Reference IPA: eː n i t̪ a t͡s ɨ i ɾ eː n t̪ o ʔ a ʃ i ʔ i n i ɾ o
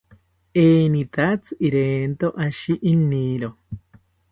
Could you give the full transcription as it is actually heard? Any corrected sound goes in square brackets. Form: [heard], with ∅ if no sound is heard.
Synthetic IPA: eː n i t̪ a t͡s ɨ i ɾ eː n t̪ o ʔ a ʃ i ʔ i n i ɾ o